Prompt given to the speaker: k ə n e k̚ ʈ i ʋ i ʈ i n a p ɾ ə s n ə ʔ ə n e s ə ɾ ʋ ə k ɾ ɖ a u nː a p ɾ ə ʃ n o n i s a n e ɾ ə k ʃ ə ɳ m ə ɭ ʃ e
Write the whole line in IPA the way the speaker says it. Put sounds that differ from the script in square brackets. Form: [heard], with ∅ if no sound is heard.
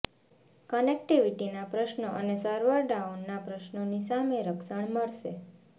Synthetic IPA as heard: k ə n e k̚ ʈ i ʋ i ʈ i n a p ɾ ə [ʃ] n ə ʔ ə n e s ə ɾ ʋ ə [∅] ɾ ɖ a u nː a p ɾ ə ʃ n o n i s a [m] e ɾ ə k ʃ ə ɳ m ə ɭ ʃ e